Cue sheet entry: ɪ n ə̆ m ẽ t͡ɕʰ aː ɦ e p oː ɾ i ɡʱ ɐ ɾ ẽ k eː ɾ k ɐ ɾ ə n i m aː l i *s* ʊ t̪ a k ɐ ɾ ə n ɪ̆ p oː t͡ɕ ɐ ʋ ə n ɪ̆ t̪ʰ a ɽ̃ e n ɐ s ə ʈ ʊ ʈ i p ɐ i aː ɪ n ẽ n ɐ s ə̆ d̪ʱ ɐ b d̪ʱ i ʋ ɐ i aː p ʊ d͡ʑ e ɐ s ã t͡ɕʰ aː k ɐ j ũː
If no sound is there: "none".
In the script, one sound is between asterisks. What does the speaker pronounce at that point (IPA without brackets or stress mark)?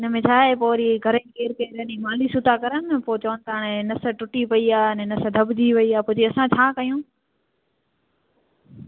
s